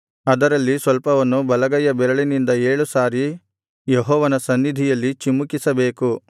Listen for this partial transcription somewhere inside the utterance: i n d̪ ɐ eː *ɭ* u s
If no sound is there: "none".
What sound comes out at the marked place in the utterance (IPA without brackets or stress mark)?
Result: ɭ